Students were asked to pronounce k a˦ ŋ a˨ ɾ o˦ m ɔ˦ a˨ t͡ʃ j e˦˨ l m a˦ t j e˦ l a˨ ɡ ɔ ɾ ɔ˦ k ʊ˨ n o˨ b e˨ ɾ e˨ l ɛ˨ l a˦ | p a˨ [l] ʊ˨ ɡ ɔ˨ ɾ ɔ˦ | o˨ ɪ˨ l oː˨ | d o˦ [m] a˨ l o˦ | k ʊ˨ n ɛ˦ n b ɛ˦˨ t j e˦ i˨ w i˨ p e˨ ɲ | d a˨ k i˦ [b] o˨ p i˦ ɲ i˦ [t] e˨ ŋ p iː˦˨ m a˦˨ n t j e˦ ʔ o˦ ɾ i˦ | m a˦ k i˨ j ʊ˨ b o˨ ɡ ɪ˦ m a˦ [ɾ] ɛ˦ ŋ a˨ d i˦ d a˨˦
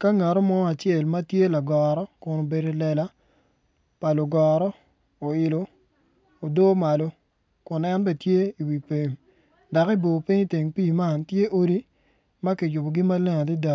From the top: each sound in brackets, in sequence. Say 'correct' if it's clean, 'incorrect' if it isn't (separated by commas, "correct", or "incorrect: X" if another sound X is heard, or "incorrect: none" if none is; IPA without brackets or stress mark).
correct, correct, correct, correct, incorrect: l